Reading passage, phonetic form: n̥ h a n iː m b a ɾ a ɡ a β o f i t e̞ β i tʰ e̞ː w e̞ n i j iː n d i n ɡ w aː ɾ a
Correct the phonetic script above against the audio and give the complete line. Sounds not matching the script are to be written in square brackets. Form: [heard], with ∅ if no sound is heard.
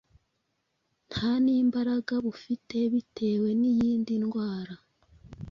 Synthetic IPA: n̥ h a n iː m b a ɾ a ɡ a β [u] f i t e̞ β i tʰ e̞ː w e̞ n i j iː n d i n ɡ w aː ɾ a